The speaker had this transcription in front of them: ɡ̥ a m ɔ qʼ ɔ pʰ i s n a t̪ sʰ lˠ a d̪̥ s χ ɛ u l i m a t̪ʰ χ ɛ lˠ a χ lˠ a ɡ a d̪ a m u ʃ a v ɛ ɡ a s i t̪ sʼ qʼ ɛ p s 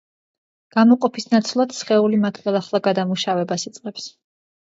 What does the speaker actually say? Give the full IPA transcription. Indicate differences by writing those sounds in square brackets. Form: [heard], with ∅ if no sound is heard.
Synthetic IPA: ɡ̥ a m ɔ qʼ ɔ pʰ i s n a t̪ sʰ lˠ a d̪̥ s χ ɛ u l i m a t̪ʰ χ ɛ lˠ a χ lˠ a ɡ a d̪ a m u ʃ a v ɛ [b] a s i t̪ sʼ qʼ ɛ p s